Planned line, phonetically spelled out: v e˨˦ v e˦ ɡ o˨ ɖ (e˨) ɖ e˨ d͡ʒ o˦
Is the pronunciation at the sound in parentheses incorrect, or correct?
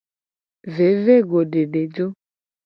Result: correct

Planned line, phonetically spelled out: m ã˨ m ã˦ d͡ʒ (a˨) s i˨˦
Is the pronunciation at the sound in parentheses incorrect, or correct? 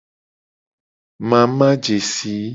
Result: incorrect: e˨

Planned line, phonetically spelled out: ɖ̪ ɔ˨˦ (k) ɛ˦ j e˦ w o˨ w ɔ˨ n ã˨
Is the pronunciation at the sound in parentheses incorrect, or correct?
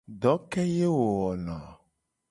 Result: correct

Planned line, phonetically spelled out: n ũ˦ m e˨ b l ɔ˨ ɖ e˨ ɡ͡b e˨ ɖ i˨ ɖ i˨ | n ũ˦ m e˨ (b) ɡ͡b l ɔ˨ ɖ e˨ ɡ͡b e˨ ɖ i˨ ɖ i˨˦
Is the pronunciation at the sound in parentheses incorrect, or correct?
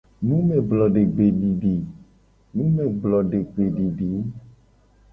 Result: incorrect: none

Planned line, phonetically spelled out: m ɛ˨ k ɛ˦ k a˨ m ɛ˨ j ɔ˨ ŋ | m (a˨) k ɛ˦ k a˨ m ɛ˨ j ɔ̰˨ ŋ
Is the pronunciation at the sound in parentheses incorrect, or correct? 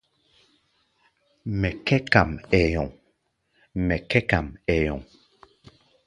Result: incorrect: ɛ˨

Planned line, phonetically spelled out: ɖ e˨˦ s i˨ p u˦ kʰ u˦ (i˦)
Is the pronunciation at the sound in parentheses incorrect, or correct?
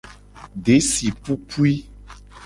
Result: correct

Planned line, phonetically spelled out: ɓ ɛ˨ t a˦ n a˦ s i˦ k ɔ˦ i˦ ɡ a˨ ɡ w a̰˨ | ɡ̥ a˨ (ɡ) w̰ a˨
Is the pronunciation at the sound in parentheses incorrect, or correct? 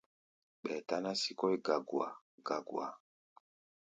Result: correct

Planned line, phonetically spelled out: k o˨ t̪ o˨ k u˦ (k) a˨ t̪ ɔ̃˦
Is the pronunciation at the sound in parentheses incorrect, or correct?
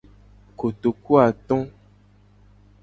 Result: incorrect: none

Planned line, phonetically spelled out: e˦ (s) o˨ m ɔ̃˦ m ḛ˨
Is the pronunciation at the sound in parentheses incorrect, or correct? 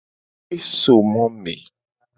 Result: correct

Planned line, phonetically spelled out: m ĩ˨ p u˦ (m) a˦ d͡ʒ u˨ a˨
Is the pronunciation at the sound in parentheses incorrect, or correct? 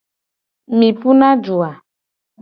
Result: incorrect: n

